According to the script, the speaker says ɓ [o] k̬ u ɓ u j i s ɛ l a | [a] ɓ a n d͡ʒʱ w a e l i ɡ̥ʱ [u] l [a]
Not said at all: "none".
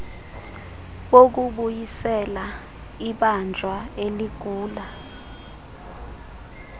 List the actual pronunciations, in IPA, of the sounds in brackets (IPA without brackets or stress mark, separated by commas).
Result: o, i, uː, a